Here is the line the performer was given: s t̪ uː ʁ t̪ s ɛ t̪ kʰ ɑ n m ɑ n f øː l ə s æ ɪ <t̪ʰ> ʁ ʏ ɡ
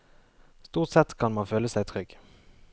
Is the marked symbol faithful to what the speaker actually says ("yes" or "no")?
yes